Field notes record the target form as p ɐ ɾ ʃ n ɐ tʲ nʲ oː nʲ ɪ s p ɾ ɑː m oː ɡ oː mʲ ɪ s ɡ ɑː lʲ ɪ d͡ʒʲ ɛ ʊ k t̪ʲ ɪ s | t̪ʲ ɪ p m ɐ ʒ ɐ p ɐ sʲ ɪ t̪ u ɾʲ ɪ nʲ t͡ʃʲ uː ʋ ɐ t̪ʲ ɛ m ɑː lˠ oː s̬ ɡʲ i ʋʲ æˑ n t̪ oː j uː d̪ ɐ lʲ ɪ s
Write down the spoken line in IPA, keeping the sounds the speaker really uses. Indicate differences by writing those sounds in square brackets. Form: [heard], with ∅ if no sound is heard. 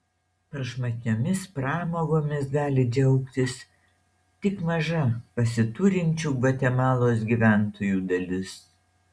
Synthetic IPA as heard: p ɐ ɾ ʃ [m] ɐ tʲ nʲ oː [mʲ] ɪ s p ɾ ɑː m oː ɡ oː mʲ ɪ s ɡ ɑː lʲ ɪ d͡ʒʲ ɛ ʊ k t̪ʲ ɪ s | t̪ʲ ɪ [k] m ɐ ʒ ɐ p ɐ sʲ ɪ t̪ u ɾʲ ɪ nʲ t͡ʃʲ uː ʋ ɐ t̪ʲ ɛ m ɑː lˠ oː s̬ ɡʲ i ʋʲ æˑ n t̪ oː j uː d̪ ɐ lʲ ɪ s